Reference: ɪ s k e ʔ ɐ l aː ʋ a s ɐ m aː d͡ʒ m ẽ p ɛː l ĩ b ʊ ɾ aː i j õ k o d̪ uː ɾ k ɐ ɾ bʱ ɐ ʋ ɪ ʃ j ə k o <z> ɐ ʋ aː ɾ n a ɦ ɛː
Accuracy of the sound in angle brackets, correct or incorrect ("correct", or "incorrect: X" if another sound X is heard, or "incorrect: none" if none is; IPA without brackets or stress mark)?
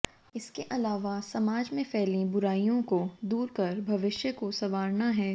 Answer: incorrect: s